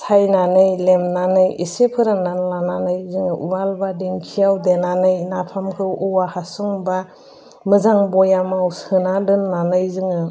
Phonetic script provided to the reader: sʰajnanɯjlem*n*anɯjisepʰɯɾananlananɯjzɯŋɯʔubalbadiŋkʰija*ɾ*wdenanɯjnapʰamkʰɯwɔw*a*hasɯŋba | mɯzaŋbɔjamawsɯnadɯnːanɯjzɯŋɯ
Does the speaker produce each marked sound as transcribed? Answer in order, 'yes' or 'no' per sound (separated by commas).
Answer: yes, no, yes